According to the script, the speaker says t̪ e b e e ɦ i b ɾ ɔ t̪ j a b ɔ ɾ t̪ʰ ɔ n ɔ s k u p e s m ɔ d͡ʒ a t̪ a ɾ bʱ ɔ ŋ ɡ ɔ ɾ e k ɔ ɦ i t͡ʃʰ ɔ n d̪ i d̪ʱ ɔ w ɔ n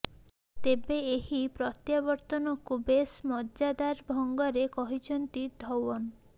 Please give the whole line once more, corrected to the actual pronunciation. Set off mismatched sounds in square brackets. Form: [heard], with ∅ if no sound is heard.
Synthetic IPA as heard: t̪ e b e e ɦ i [p] ɾ ɔ t̪ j a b ɔ ɾ [t̪] ɔ n ɔ [∅] k u [b] e s m ɔ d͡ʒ a [d̪] a ɾ bʱ ɔ ŋ ɡ ɔ ɾ e k ɔ ɦ i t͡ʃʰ ɔ n [t̪] i d̪ʱ ɔ w ɔ n

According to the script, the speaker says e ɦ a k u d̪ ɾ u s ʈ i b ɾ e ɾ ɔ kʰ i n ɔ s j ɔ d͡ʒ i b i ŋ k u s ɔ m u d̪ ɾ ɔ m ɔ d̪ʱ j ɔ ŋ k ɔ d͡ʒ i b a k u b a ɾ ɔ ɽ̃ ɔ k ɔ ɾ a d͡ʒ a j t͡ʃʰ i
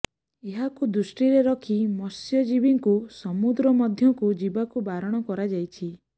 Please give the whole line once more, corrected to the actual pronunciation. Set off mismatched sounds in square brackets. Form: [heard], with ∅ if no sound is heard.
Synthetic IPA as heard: e ɦ a k u d̪ ɾ u s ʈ i [∅] ɾ e ɾ ɔ kʰ i [m] ɔ s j ɔ d͡ʒ i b i ŋ k u s ɔ m u d̪ ɾ ɔ m ɔ d̪ʱ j ɔ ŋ k [u] d͡ʒ i b a k u b a ɾ ɔ ɽ̃ ɔ k ɔ ɾ a d͡ʒ a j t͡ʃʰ i

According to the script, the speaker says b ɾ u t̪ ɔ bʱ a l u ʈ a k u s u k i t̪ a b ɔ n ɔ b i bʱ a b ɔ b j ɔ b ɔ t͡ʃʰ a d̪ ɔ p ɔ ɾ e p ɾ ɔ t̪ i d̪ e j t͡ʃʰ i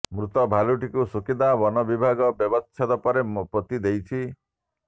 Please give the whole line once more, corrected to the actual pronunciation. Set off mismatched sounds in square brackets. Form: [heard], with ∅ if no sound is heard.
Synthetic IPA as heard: [m] ɾ u t̪ ɔ bʱ a l u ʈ [i] k u s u k i [d̪] a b ɔ n ɔ b i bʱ a [ɡ] ɔ b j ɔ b ɔ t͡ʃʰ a d̪ ɔ p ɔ ɾ e p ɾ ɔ t̪ i d̪ e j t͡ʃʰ i

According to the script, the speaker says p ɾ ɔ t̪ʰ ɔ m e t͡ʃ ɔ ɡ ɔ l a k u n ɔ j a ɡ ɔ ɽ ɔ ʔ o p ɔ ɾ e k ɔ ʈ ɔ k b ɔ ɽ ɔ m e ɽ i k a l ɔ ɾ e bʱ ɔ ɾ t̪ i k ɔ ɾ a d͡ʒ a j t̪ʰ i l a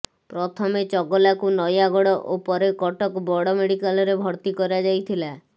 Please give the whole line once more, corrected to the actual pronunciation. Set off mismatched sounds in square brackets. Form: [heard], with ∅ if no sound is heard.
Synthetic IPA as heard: p ɾ ɔ t̪ʰ ɔ m e t͡ʃ ɔ ɡ ɔ l a k u n ɔ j a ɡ ɔ ɽ ɔ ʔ o p ɔ ɾ e k ɔ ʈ ɔ k b ɔ ɽ ɔ m e ɽ i k a l ɔ ɾ e bʱ ɔ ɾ t̪ i k ɔ ɾ a d͡ʒ a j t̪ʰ i l a

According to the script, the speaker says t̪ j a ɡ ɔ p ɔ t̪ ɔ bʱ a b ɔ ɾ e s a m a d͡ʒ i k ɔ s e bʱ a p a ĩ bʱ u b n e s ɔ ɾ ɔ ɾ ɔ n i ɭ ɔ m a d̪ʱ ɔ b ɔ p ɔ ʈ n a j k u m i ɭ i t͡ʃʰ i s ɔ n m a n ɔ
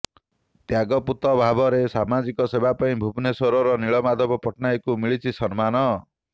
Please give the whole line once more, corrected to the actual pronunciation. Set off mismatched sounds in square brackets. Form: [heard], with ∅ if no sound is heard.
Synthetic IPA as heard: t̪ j a ɡ ɔ p [u] t̪ ɔ bʱ a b ɔ ɾ e s a m a d͡ʒ i k ɔ s e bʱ a p a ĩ bʱ u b n e s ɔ ɾ ɔ ɾ ɔ n i ɭ ɔ m a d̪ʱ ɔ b ɔ p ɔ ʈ n a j k u m i ɭ i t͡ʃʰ i s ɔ n m a n ɔ

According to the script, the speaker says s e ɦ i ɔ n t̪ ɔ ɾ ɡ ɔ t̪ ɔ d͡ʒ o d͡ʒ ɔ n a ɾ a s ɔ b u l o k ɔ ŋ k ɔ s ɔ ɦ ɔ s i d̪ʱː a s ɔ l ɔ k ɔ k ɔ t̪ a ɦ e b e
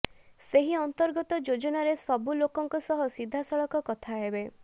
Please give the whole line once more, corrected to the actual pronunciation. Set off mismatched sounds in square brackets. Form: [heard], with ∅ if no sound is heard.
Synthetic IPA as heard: s e ɦ i ɔ n t̪ ɔ ɾ ɡ ɔ t̪ ɔ d͡ʒ o d͡ʒ ɔ n a ɾ [e] s ɔ b u l o k ɔ ŋ k ɔ s ɔ ɦ ɔ s i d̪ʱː a s ɔ [ɭ] ɔ k ɔ k ɔ [t̪ʰ] a ɦ e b e

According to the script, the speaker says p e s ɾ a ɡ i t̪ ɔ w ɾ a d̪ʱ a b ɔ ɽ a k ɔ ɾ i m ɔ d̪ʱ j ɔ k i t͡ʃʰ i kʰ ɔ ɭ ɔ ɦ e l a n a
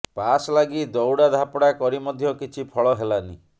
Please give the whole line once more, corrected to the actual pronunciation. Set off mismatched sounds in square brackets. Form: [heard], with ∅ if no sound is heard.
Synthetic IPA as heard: p [a] s [l] a ɡ i [d̪] ɔ w [ɽ] a d̪ʱ a [p] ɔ ɽ a k ɔ ɾ i m ɔ d̪ʱ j ɔ k i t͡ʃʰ i [pʰ] ɔ ɭ ɔ ɦ e l a n [i]

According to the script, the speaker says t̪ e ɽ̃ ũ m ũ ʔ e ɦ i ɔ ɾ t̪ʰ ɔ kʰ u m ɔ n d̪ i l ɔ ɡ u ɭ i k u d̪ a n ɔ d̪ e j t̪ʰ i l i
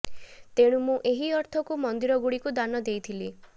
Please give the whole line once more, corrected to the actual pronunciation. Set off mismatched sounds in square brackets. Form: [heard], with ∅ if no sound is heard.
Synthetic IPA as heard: t̪ e ɽ̃ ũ m ũ ʔ e ɦ i ɔ ɾ t̪ʰ ɔ [k] u m ɔ n d̪ i [ɾ] ɔ ɡ u [ɽ] i k u d̪ a n ɔ d̪ e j t̪ʰ i l i

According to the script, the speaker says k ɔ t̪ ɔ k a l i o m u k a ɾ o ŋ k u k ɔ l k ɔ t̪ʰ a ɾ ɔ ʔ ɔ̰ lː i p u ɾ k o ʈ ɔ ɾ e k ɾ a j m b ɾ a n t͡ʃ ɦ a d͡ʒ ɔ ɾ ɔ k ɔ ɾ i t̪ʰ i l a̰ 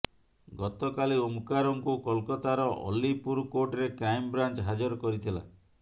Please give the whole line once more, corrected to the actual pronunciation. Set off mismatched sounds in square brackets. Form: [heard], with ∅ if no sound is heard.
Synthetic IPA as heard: [ɡ] ɔ t̪ ɔ k a l i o m u k a ɾ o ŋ k u k ɔ l k ɔ [t̪] a ɾ ɔ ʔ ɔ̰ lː i p u ɾ k o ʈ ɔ ɾ e k ɾ a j m b ɾ a n t͡ʃ ɦ a d͡ʒ ɔ ɾ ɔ k ɔ ɾ i t̪ʰ i l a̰

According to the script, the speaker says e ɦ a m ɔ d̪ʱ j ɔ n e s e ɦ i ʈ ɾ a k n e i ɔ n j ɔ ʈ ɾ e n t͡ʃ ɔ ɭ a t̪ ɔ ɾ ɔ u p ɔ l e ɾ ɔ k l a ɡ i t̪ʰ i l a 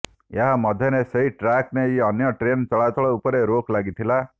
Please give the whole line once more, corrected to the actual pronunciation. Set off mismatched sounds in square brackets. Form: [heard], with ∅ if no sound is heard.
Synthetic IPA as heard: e ɦ a m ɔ d̪ʱ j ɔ n e s e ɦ i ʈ ɾ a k n e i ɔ n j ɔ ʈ ɾ e n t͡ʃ ɔ ɭ a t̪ ɔ [ɭ] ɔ u p ɔ [ɾ] e ɾ [o] k l a ɡ i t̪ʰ i l a

